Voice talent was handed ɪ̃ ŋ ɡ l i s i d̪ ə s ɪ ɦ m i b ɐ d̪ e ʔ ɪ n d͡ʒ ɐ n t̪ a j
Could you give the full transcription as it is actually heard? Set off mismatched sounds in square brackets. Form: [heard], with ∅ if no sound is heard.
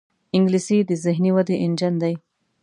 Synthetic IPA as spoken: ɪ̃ ŋ ɡ l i s i d̪ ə [z] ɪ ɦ [n] i [w] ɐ d̪ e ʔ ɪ n d͡ʒ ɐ n [d̪] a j